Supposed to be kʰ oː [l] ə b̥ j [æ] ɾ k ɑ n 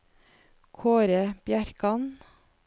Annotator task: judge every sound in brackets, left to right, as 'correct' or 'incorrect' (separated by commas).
incorrect, correct